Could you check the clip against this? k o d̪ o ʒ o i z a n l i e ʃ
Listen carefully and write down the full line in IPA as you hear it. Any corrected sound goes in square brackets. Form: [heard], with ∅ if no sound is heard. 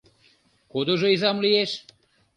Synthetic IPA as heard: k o d̪ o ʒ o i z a [m] l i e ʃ